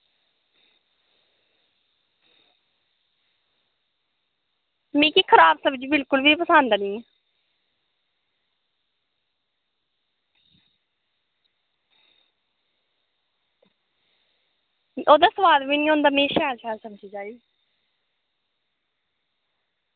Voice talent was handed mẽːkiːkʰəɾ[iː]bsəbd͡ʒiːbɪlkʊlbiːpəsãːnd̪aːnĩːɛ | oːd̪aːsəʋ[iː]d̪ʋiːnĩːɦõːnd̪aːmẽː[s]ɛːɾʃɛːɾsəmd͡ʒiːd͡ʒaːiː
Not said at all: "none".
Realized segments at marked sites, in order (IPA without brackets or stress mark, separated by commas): aː, aː, ʃ